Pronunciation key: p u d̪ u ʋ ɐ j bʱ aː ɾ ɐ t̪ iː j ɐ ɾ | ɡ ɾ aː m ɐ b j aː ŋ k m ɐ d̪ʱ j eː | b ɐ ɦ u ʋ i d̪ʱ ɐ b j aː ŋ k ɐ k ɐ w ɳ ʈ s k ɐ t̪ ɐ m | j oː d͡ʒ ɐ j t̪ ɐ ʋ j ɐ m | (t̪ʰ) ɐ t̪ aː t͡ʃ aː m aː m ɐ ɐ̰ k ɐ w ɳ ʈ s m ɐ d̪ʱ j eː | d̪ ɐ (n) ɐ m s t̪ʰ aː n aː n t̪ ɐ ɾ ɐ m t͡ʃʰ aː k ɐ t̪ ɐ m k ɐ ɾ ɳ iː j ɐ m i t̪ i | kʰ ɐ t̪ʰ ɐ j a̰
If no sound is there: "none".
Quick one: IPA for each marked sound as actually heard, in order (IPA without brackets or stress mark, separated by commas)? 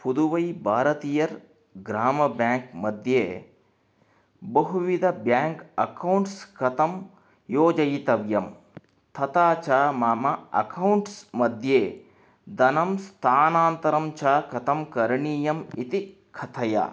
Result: t̪ʰ, n